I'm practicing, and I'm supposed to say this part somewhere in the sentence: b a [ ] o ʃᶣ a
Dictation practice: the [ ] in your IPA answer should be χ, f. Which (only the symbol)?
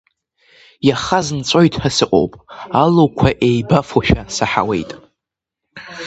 f